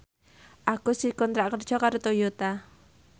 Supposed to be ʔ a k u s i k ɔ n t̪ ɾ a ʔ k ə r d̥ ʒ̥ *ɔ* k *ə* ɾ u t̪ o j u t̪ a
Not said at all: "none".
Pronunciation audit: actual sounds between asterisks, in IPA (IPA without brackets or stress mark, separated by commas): ɔ, a